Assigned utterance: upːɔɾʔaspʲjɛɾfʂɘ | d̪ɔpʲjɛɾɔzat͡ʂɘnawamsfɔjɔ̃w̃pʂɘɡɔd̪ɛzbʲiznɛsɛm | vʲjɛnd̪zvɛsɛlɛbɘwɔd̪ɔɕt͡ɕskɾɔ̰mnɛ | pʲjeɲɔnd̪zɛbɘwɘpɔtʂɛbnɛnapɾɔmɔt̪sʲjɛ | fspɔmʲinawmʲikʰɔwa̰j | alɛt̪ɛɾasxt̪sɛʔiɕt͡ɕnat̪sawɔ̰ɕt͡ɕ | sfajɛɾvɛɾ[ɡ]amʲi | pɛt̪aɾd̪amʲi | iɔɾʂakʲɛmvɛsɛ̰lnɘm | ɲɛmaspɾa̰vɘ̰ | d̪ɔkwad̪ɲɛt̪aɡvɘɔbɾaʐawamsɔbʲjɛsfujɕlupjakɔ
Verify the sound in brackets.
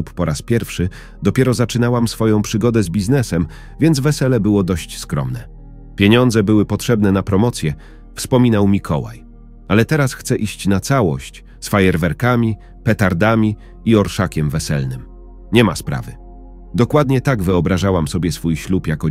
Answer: incorrect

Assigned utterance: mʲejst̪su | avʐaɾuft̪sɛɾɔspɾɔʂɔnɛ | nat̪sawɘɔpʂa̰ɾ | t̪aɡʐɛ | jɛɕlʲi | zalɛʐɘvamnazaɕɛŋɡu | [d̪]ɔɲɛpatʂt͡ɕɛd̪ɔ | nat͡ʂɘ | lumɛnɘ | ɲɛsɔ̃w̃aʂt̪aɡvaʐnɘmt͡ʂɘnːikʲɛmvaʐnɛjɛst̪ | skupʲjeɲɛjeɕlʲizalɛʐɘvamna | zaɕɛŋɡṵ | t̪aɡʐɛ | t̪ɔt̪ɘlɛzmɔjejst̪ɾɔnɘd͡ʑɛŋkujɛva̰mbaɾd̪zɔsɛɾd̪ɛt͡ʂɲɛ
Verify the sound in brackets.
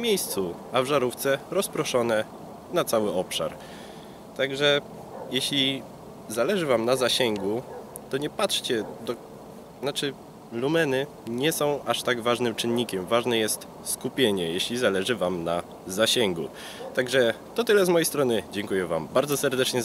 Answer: incorrect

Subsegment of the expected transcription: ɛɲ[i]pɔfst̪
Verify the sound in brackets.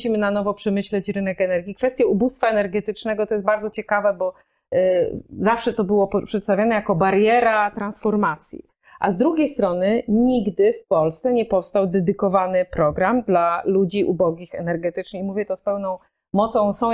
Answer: incorrect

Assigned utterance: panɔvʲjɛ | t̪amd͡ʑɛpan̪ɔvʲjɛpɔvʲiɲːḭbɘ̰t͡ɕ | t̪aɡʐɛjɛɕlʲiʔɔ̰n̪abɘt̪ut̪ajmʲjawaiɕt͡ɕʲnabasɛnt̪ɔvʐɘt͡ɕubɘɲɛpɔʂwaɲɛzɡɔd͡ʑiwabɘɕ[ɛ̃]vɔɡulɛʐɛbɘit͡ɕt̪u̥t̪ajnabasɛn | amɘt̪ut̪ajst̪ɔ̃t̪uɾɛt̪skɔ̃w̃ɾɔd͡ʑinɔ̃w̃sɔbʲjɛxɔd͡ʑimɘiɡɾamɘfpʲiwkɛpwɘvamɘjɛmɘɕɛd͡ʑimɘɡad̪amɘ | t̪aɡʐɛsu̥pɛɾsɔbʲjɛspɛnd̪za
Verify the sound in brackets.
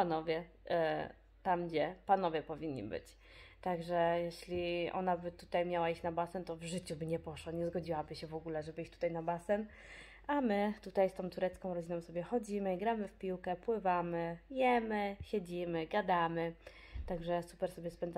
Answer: incorrect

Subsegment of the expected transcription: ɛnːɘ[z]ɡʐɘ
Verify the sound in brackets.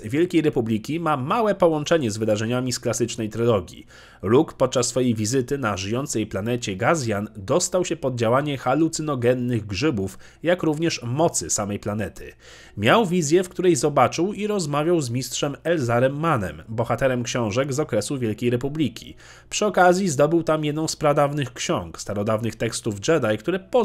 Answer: incorrect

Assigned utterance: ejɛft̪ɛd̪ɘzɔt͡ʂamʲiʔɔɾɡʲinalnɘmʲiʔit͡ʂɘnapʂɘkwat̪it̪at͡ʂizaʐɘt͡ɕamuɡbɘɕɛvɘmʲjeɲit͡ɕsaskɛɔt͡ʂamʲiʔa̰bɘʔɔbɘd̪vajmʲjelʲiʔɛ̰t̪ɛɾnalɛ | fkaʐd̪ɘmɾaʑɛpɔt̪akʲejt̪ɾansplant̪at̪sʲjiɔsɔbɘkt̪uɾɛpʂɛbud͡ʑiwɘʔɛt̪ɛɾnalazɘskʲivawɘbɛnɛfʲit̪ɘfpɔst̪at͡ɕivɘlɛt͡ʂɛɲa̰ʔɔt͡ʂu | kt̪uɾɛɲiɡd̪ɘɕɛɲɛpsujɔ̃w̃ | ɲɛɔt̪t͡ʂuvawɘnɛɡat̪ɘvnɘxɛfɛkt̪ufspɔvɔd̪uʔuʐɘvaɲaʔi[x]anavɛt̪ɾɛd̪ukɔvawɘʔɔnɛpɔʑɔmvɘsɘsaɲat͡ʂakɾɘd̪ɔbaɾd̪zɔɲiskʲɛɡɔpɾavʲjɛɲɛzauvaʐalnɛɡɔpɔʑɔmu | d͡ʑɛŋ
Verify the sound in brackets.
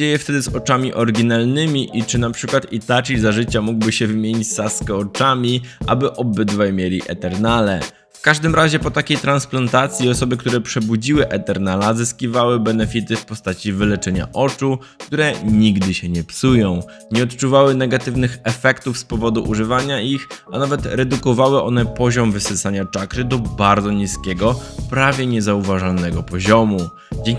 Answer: correct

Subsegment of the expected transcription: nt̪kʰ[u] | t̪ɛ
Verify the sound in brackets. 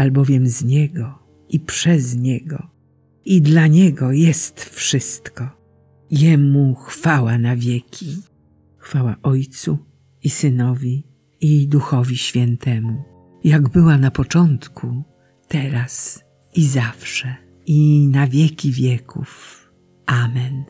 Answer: correct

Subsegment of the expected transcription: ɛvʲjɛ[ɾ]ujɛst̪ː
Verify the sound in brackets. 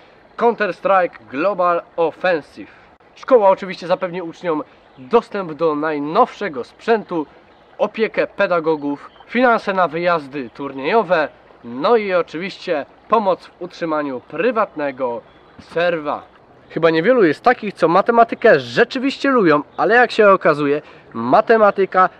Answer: incorrect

